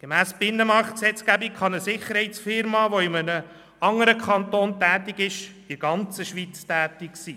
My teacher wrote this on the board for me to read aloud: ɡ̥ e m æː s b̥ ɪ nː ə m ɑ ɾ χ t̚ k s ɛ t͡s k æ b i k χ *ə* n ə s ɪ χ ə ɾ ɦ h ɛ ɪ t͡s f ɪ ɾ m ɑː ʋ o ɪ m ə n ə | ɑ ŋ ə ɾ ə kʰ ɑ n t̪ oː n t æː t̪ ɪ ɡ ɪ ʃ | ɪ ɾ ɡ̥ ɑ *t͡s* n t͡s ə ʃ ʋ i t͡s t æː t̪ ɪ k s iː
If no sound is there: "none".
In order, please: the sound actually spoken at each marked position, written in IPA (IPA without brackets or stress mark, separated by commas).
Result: ɑ, none